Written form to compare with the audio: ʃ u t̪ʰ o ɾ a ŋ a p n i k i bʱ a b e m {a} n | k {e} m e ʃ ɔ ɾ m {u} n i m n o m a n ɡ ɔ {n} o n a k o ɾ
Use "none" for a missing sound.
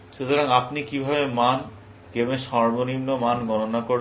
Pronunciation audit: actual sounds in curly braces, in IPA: a, e, o, n

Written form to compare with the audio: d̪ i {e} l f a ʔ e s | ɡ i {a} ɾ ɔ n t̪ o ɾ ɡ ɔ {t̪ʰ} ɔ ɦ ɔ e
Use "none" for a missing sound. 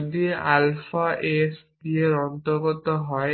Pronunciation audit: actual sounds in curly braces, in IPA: a, e, t̪

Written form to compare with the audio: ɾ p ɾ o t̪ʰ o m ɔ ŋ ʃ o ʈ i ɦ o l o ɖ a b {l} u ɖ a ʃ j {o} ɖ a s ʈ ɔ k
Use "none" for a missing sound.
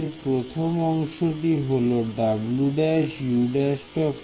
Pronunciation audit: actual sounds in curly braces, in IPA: l, u

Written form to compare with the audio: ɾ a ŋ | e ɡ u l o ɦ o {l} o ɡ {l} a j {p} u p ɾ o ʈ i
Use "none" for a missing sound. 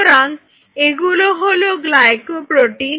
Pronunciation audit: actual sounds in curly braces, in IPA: l, l, k

